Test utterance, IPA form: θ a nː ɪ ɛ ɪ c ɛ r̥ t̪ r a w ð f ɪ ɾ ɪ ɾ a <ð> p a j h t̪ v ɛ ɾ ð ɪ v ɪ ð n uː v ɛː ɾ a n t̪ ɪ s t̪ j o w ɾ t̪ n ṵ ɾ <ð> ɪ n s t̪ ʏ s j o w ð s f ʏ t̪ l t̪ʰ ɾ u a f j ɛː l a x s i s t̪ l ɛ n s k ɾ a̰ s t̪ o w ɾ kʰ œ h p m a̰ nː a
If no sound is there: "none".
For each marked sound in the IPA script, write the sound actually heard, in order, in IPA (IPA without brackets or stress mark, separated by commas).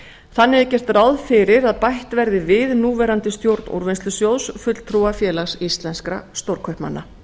ð, v